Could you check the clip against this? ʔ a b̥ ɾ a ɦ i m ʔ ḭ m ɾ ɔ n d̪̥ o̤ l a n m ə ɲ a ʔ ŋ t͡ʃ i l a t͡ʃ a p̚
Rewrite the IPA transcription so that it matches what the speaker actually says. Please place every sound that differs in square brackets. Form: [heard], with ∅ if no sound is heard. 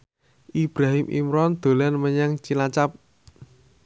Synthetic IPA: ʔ [i] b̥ ɾ a ɦ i m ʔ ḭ m ɾ ɔ n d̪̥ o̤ l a n m ə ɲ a [∅] ŋ t͡ʃ i l a t͡ʃ a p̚